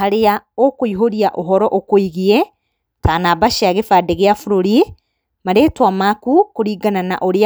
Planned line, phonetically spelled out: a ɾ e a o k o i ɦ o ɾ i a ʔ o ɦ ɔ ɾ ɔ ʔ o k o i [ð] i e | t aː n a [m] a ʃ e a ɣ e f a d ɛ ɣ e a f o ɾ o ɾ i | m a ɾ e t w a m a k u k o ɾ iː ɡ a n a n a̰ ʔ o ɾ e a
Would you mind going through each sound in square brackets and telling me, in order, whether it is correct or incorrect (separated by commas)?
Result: incorrect, incorrect